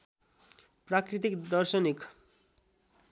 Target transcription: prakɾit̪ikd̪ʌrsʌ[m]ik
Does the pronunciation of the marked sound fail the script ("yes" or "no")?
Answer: yes